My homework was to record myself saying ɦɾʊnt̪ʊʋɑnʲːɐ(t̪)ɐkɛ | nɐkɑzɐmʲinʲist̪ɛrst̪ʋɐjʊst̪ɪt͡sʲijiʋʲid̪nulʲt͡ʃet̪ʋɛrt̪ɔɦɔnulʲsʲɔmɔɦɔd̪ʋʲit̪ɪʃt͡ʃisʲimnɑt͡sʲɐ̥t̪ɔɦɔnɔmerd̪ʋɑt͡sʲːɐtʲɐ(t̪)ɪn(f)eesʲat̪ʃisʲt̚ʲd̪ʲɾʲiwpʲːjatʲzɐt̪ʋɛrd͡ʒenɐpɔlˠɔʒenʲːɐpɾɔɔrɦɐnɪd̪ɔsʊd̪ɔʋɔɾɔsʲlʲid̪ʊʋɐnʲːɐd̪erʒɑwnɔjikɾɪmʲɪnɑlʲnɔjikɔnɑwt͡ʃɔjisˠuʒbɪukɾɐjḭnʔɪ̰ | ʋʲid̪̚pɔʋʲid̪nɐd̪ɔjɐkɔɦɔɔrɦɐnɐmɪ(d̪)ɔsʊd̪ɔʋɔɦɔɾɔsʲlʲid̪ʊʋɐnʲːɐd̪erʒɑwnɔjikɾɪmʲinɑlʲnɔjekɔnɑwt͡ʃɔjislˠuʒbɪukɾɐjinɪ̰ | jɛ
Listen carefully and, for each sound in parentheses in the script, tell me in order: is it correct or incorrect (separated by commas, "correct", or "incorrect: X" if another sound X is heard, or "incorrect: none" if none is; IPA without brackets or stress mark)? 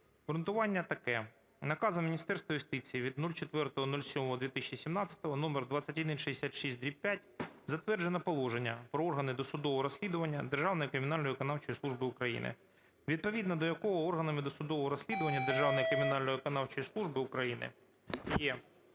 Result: correct, incorrect: d̪, incorrect: ʃ, correct